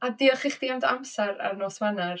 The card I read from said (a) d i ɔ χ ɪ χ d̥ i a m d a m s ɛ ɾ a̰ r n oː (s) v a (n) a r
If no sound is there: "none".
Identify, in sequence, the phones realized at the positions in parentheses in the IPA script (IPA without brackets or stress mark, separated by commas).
a, s, n